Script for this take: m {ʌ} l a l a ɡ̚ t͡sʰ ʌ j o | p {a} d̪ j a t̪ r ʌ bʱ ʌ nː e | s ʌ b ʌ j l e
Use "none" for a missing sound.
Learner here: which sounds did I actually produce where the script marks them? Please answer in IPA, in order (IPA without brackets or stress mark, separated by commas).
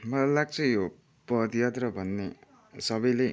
ʌ, ʌ